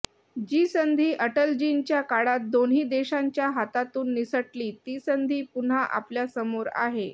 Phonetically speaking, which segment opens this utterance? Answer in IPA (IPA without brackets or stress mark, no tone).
d͡ʑ